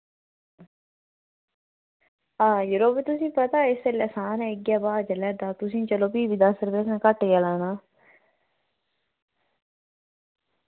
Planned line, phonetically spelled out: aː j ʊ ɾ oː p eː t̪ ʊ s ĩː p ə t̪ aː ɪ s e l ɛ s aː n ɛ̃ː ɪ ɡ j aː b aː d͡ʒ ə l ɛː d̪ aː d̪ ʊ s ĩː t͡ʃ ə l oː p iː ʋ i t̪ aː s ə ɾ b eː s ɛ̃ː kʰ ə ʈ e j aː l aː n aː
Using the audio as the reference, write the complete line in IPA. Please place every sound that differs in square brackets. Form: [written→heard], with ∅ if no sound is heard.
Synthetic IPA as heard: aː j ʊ ɾ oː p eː t̪ ʊ s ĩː p ə t̪ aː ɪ s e l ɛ s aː n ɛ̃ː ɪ ɡ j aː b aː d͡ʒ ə l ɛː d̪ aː [d̪→t̪] ʊ s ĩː t͡ʃ ə l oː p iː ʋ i [t̪→d̪] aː s ə ɾ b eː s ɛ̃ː [kʰ→k] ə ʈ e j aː l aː n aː

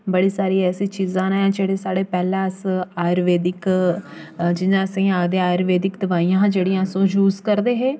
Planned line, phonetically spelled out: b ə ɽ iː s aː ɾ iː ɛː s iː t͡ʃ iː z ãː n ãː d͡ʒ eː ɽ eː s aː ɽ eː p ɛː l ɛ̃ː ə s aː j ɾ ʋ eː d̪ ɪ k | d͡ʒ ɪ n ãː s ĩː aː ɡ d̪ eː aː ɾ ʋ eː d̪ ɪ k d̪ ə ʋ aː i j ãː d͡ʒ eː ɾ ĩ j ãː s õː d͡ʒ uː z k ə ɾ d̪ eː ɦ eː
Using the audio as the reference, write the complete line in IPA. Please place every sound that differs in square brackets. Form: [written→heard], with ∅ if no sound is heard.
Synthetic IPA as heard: b ə ɽ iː s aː ɾ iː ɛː s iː t͡ʃ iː z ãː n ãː d͡ʒ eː ɽ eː s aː ɽ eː p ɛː l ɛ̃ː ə s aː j ɾ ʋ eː d̪ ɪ k | d͡ʒ ɪ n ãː s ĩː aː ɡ d̪ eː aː ɾ ʋ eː d̪ ɪ k d̪ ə ʋ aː i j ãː d͡ʒ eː [ɾ→ɽ] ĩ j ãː s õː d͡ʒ uː z k ə ɾ d̪ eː ɦ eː

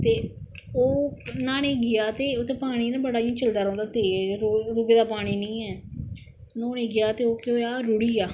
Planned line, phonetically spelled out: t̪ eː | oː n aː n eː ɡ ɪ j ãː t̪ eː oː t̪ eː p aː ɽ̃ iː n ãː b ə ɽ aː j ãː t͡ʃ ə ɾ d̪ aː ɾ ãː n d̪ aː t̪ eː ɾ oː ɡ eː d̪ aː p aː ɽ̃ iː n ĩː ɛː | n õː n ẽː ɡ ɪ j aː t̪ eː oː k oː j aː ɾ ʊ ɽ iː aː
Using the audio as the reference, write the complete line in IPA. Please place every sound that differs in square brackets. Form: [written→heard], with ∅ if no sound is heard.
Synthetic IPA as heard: t̪ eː | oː n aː n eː ɡ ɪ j [ãː→aː] t̪ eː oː t̪ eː p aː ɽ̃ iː n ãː b ə ɽ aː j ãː t͡ʃ ə [ɾ→l] d̪ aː ɾ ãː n d̪ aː t̪ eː ɾ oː ɡ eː d̪ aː p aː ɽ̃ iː n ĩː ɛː | n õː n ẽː ɡ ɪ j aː t̪ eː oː k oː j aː ɾ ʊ ɽ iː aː

